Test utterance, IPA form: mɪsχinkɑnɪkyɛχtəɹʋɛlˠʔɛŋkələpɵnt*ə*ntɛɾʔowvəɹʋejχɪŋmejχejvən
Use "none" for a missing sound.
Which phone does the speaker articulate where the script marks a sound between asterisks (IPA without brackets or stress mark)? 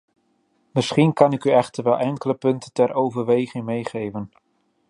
ə